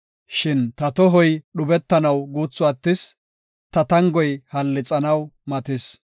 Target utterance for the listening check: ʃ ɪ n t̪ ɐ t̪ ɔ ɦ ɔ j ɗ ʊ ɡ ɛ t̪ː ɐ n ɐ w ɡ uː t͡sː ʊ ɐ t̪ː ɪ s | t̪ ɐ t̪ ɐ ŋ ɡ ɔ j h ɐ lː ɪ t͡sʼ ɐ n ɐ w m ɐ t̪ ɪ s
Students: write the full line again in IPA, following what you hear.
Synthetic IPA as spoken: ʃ ɪ n t̪ ɐ t̪ ɔ ɦ ɔ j ɗ ʊ b ɛ t̪ː ɐ n ɐ w ɡ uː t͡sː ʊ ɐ t̪ː ɪ s | t̪ ɐ t̪ ɐ ŋ ɡ ɔ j h ɐ lː ɪ t͡sʼ ɐ n ɐ w m ɐ t̪ ɪ s